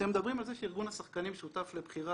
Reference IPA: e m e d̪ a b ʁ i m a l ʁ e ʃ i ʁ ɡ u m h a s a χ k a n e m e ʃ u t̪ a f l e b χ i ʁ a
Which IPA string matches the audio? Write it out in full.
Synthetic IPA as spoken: e m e d̪ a b ʁ i m a l z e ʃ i ʁ ɡ u n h a s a χ k a n i m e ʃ u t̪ a f l e b χ i ʁ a